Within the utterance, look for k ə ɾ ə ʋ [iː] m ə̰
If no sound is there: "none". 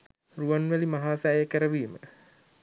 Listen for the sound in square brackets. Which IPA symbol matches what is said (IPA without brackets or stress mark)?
iː